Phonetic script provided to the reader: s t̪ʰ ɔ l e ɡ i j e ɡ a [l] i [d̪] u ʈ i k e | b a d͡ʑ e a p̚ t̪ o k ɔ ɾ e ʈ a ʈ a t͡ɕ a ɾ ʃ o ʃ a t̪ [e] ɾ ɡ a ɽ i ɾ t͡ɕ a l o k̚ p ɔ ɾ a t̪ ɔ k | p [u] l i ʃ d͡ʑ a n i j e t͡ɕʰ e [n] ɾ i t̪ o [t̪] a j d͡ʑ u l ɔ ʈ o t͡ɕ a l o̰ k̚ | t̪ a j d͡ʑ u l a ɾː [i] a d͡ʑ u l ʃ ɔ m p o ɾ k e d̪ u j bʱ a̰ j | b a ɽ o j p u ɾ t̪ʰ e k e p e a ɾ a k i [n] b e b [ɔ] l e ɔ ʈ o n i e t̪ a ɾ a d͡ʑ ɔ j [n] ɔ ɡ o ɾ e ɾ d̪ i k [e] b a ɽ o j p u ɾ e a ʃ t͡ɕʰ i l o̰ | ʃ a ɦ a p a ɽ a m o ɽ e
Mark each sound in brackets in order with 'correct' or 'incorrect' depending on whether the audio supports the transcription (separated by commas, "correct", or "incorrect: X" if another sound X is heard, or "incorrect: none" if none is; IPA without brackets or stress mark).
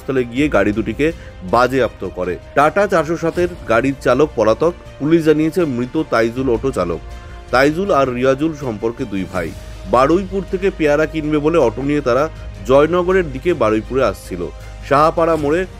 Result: incorrect: ɽ, correct, correct, correct, incorrect: m, correct, correct, correct, incorrect: o, correct, correct